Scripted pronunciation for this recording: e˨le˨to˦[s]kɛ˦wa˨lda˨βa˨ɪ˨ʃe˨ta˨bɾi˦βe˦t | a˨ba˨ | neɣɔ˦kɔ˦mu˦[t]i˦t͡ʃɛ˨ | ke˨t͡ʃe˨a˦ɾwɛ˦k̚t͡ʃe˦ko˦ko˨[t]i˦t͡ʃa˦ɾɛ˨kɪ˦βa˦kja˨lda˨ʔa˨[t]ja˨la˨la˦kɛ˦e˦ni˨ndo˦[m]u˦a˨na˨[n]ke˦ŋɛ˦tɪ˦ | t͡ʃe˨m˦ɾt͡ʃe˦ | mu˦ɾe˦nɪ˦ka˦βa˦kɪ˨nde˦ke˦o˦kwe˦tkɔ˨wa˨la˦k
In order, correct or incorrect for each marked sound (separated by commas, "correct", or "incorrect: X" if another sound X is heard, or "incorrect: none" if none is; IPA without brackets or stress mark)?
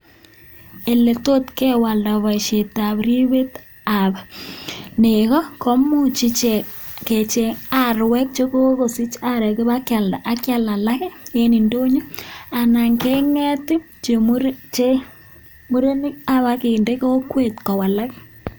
incorrect: t, incorrect: t͡ʃ, incorrect: s, incorrect: k, incorrect: ɲ, incorrect: ŋ